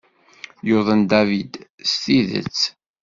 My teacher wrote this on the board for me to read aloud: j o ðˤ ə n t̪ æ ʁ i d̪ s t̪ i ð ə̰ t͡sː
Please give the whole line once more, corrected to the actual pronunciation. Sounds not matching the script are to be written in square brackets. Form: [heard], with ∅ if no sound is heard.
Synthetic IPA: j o ðˤ ə n [d̪] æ [v] i d̪ s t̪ i ð ə̰ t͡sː